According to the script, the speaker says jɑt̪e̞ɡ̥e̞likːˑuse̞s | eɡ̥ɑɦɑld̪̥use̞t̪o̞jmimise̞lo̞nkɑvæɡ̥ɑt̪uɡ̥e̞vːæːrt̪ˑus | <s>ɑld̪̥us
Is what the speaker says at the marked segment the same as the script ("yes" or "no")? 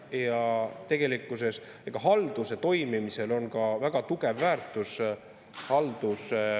no